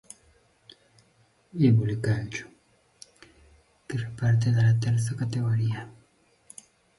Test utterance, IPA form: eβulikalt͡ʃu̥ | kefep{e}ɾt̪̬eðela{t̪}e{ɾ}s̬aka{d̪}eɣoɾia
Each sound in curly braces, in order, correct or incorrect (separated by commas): incorrect, correct, correct, incorrect